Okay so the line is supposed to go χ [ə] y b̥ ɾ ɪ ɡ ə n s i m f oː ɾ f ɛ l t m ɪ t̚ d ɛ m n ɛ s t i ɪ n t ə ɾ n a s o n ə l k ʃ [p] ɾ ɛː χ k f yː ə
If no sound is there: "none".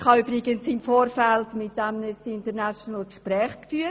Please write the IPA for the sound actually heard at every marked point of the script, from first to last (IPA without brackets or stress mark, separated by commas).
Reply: ɑ, p